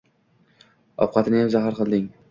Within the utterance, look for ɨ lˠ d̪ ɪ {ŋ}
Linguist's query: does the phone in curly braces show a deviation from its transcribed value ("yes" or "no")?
no